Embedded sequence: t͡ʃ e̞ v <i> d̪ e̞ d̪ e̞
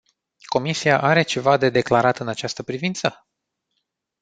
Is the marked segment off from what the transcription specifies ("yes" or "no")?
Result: yes